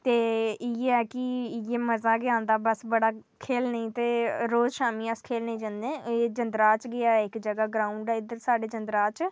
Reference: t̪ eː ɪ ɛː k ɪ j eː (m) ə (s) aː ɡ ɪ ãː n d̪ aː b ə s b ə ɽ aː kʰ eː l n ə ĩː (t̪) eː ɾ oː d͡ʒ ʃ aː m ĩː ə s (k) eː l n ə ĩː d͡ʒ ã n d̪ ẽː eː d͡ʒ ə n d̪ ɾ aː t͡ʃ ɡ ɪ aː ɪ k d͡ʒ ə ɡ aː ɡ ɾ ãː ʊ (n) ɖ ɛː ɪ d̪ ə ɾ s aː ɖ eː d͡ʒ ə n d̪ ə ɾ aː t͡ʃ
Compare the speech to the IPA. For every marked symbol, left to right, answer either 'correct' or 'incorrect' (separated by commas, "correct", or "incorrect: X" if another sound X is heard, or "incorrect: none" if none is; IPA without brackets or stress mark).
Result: correct, incorrect: z, correct, incorrect: kʰ, incorrect: ɳ